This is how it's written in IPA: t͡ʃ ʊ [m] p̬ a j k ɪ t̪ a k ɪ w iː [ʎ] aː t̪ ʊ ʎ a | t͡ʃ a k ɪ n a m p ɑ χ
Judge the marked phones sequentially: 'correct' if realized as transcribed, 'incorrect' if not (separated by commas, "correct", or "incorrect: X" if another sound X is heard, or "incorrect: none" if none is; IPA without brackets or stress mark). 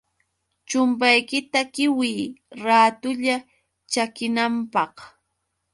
correct, incorrect: ɾ